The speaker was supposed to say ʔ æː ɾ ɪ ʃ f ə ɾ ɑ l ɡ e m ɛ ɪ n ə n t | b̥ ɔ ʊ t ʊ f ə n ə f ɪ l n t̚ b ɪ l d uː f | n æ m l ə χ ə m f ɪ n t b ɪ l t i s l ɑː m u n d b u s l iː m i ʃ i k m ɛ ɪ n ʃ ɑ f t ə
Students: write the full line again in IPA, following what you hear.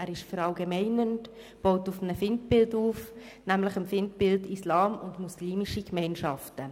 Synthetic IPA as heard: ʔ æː ɾ ɪ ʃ f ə ɾ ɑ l ɡ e m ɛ ɪ n ə n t | b̥ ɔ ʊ t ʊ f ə n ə f ɪ n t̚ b ɪ l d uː f | n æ m l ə χ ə m f ɪ n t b ɪ l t i s l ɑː m ʊ n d m u s l iː m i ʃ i k m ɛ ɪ n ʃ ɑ f t ə